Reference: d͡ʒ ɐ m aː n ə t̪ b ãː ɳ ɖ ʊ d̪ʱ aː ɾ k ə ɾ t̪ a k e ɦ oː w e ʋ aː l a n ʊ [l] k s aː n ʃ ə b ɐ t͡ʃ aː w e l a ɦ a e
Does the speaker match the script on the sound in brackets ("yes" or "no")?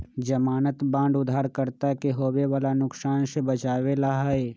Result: no